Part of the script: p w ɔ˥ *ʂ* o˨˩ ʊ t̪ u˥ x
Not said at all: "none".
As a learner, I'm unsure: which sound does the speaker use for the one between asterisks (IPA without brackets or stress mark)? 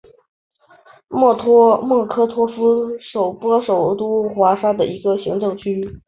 ʂ